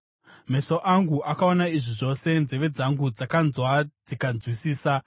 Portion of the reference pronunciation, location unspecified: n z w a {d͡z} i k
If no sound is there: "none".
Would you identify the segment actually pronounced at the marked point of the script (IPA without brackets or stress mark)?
d͡z